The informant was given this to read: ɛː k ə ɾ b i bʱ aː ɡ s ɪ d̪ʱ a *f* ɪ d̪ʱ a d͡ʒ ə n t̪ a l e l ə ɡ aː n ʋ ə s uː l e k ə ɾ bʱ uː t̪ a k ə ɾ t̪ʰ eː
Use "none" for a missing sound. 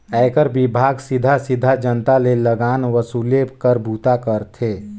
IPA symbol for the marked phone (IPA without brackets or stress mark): s